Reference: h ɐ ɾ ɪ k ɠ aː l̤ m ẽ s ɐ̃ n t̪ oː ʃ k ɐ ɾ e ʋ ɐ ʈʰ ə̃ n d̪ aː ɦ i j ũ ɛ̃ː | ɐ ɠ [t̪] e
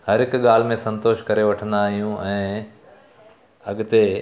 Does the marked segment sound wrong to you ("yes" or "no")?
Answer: no